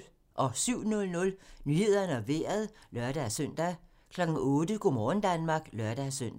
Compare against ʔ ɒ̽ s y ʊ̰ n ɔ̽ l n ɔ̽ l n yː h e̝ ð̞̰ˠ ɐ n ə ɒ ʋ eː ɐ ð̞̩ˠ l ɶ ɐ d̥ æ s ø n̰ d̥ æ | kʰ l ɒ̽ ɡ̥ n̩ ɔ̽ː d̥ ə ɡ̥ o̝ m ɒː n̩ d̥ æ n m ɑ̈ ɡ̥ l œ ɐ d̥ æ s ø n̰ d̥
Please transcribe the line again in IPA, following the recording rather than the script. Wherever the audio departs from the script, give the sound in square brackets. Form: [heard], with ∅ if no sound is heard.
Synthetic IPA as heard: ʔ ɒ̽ s y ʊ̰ n ɔ̽ l n ɔ̽ l n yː h e̝ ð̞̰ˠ ɐ n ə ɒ ʋ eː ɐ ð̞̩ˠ l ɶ ɐ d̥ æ s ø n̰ d̥ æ | kʰ l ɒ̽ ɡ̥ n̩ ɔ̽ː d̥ ə ɡ̥ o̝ m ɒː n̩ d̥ æ n m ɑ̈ ɡ̥ l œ ɐ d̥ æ s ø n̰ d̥

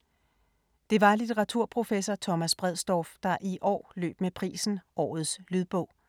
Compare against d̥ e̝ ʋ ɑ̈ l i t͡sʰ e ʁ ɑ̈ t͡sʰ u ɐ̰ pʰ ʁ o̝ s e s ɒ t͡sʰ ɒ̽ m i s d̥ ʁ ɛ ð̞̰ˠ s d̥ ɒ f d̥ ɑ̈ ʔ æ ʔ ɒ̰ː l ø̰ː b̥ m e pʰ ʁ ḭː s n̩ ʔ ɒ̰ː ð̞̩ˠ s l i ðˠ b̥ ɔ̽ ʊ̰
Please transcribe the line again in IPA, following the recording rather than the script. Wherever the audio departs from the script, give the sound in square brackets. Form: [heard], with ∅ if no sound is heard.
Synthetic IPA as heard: d̥ e̝ ʋ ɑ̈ l i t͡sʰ e ʁ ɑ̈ t͡sʰ u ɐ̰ pʰ ʁ o̝ [f] e s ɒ t͡sʰ ɒ̽ m [æ] s [b̥] ʁ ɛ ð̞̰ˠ s d̥ ɒ f d̥ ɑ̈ ʔ [i] ʔ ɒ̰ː l ø̰ː b̥ m e pʰ ʁ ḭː s n̩ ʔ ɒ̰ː ð̞̩ˠ s l [y] ðˠ b̥ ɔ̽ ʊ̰

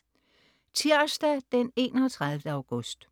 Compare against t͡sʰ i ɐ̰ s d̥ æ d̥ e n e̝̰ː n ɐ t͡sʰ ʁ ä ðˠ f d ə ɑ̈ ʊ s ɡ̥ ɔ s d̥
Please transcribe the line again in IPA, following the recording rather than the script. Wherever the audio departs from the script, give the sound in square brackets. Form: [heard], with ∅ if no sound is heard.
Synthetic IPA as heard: t͡sʰ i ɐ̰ s d̥ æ d̥ e n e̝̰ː n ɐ t͡sʰ ʁ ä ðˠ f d ə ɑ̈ ʊ [∅] ɡ̥ ɔ s d̥

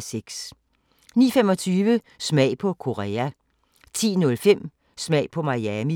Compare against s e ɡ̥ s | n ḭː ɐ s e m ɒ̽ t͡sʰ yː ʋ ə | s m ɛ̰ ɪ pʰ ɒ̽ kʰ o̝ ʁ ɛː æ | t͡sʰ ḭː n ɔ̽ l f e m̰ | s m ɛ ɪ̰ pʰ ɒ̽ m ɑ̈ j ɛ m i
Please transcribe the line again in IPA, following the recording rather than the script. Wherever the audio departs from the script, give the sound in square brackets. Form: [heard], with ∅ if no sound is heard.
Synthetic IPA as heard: s e ɡ̥ s | n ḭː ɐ [f] e m ɒ̽ t͡sʰ yː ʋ ə | s m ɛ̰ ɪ pʰ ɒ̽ kʰ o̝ ʁ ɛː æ | t͡sʰ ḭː n ɔ̽ l f e m̰ | s m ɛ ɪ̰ pʰ ɒ̽ m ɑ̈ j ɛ m i

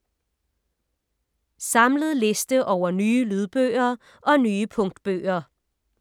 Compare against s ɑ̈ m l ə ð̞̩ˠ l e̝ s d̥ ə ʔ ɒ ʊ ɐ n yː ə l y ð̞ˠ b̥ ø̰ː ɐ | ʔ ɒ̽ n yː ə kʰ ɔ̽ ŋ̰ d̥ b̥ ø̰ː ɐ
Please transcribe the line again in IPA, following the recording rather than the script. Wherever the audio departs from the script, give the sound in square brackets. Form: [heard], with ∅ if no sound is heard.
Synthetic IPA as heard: s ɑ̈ m l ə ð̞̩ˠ l e̝ s d̥ ə ʔ ɒ ʊ ɐ n yː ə l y ð̞ˠ b̥ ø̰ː ɐ | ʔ ɒ̽ n yː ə [pʰ] ɔ̽ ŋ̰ d̥ b̥ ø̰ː ɐ

